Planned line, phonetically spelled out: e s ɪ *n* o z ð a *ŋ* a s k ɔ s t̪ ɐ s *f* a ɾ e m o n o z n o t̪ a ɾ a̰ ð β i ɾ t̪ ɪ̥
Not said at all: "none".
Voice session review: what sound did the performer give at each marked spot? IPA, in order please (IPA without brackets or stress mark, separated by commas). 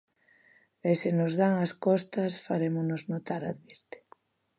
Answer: n, ŋ, f